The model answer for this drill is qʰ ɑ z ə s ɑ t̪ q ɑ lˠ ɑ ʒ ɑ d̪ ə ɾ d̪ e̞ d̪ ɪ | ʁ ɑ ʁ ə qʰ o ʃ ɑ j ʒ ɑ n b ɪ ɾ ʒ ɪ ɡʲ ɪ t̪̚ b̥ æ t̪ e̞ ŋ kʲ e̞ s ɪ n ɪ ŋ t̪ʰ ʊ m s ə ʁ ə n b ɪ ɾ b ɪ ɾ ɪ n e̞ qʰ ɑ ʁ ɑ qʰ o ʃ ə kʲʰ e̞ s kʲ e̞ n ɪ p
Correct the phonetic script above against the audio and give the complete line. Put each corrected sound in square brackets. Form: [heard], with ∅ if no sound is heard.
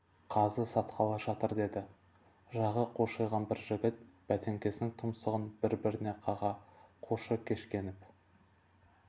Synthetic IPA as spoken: qʰ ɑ z ə s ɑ t̪ q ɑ lˠ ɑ ʒ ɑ [t̪] ə ɾ d̪ e̞ d̪ ɪ | [ʒ] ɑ ʁ ə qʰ o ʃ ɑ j [ʁ] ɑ n b ɪ ɾ ʒ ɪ ɡʲ ɪ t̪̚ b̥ æ t̪ e̞ ŋ kʲ e̞ s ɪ n ɪ ŋ t̪ʰ ʊ m s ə ʁ ə n b ɪ ɾ b ɪ ɾ ɪ n e̞ qʰ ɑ ʁ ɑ qʰ o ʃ ə kʲʰ e̞ [ʃ] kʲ e̞ n ɪ p

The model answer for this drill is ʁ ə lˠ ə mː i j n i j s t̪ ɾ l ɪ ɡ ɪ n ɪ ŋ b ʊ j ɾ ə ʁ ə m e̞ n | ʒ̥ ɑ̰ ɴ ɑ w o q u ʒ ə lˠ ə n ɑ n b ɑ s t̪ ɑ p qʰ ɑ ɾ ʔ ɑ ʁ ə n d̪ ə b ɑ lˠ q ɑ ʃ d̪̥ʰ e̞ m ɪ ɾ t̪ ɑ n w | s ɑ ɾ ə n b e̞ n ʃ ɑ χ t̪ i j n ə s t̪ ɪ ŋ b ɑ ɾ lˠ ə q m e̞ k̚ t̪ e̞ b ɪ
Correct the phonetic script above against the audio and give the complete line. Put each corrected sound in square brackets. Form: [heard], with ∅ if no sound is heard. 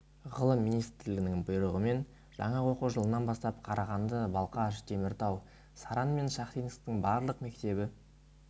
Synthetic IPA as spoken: ʁ ə lˠ ə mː i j n i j s t̪ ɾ l ɪ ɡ ɪ n ɪ ŋ b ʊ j ɾ ə ʁ ə m e̞ n | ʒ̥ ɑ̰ ɴ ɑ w o q u ʒ ə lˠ ə n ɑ n b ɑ s t̪ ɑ p qʰ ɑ ɾ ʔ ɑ ʁ [ɑ] n d̪ ə b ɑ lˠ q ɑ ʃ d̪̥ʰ e̞ m ɪ ɾ t̪ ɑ [∅] w | s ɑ ɾ [ɑ] n [m] e̞ n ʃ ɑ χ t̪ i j n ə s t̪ ɪ ŋ b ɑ ɾ lˠ ə q m e̞ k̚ t̪ e̞ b ɪ

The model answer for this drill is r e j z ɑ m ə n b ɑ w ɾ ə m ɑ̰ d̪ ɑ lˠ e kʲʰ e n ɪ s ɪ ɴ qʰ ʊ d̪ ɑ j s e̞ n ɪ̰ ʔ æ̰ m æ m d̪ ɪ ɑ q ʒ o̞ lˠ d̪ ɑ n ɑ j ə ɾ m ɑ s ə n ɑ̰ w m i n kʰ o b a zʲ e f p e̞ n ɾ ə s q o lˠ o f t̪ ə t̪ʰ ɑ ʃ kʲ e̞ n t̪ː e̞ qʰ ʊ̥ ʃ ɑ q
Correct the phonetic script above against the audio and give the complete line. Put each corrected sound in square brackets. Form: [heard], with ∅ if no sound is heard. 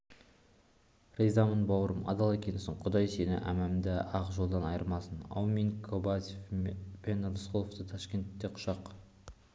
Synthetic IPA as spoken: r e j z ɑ m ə n b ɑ w ɾ ə m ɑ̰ d̪ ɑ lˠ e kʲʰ e n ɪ s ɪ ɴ qʰ ʊ d̪ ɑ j s e̞ n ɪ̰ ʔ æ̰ m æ m d̪ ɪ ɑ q ʒ o̞ lˠ d̪ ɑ n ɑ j ə ɾ m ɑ s ə n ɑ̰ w m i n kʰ o b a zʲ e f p e̞ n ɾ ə s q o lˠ o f t̪ ə t̪ʰ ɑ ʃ kʲ e̞ n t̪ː e̞ qʰ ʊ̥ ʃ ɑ q

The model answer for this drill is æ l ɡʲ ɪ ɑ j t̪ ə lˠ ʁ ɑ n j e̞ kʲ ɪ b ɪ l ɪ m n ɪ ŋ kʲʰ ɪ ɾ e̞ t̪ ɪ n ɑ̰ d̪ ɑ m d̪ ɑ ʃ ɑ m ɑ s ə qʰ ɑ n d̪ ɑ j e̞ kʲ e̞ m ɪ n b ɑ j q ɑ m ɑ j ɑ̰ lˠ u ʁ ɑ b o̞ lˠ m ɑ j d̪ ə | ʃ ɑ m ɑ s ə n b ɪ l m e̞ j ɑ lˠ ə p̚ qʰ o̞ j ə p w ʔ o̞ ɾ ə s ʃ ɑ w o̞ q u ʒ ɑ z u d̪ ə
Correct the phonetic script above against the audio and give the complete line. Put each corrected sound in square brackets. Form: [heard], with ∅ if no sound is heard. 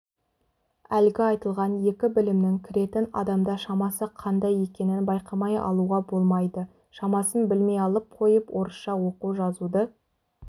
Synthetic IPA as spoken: æ l ɡʲ ɪ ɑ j t̪ ə lˠ ʁ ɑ n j e̞ kʲ ɪ b ɪ l ɪ m n ɪ ŋ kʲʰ ɪ ɾ e̞ t̪ ɪ n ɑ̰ d̪ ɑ m d̪ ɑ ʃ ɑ m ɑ s ə qʰ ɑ n d̪ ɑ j e̞ kʲ e̞ [n] ɪ n b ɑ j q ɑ m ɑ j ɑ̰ lˠ u ʁ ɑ b o̞ lˠ m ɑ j d̪ ə | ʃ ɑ m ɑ s ə n b ɪ l m e̞ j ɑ lˠ ə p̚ qʰ o̞ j ə p w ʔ o̞ ɾ ə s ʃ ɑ w o̞ q u ʒ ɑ z u d̪ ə

